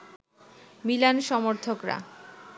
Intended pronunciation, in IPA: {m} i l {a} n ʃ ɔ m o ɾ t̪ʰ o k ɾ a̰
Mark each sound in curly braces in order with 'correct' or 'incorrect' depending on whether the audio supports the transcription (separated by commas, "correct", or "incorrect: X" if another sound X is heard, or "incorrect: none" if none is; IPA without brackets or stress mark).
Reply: correct, correct